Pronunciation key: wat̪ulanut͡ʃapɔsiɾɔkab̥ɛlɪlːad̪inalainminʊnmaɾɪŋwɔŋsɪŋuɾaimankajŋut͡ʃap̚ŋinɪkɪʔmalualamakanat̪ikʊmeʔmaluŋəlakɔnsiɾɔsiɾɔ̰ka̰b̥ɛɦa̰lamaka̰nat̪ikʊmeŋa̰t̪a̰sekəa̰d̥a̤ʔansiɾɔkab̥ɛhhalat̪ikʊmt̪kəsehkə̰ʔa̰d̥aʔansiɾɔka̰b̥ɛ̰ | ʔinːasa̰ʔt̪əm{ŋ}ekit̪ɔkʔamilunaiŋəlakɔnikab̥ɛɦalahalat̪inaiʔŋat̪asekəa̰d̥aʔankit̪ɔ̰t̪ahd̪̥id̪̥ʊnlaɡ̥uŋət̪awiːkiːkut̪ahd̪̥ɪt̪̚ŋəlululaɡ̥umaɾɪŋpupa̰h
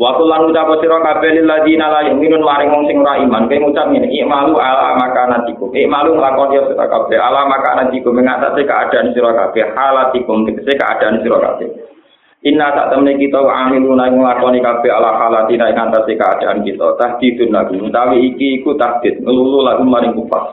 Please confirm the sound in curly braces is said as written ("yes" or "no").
no